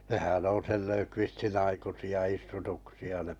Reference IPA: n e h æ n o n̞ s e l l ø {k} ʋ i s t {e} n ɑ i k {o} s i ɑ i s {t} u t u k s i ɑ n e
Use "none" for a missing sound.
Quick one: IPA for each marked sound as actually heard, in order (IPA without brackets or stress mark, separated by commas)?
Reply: k, i, u, t